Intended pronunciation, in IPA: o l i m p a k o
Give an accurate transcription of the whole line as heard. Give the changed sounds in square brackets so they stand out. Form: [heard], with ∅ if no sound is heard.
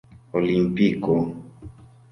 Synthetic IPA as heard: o l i m p [i] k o

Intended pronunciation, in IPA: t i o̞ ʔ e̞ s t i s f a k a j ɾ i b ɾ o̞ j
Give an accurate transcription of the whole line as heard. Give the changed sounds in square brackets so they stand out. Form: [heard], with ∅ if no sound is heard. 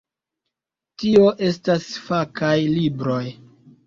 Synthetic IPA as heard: t i o̞ ʔ e̞ s t [a] s f a k a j [l] i b ɾ o̞ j

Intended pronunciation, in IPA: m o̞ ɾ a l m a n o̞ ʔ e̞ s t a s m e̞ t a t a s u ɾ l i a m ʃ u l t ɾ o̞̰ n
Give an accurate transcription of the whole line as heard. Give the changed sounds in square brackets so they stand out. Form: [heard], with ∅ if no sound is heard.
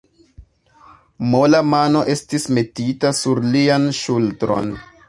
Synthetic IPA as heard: m o̞ [l] a [∅] m a n o̞ ʔ e̞ s t [i] s m e̞ t [i] t a s u ɾ l i a [n] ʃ u l t ɾ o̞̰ n

